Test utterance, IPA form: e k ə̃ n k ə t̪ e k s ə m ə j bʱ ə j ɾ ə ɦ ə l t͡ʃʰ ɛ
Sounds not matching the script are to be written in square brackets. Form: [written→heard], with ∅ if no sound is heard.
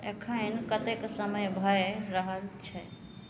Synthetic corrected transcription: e [k→kʰ] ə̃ n k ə t̪ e k s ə m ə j bʱ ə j ɾ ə ɦ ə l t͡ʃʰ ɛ